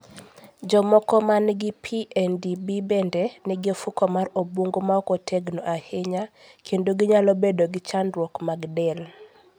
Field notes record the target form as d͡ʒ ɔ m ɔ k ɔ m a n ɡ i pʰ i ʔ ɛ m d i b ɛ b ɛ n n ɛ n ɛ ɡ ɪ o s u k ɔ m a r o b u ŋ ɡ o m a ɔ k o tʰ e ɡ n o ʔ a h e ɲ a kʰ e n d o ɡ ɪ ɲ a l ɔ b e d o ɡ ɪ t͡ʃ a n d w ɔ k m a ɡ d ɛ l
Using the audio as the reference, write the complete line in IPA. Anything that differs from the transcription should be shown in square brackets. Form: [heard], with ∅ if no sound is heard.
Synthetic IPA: d͡ʒ ɔ m ɔ k ɔ m a n ɡ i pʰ i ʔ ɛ [n] d i b [i] b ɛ n [d] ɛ n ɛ ɡ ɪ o [f] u k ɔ m a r o b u ŋ ɡ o m a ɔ k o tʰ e ɡ n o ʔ a h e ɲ a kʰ e n d o ɡ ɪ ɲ a l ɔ b e d o ɡ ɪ t͡ʃ a n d w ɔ k m a ɡ d ɛ l